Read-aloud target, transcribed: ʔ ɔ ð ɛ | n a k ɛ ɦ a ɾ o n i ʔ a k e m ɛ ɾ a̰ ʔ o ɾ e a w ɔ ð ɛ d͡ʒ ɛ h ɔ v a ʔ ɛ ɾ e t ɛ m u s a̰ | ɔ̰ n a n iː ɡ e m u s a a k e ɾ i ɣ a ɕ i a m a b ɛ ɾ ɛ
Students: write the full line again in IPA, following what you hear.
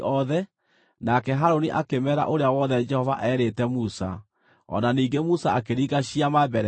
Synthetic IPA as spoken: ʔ ɔ ð ɛ | n a k ɛ ɦ a ɾ o n i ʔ a k e m ɛ ɾ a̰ ʔ o ɾ e a w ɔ ð ɛ d͡ʒ ɛ h ɔ v a ʔ ɛ ɾ e t ɛ m u s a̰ | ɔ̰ n a n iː ɡ e m u s a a k e ɾ i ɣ a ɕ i a m a b ɛ ɾ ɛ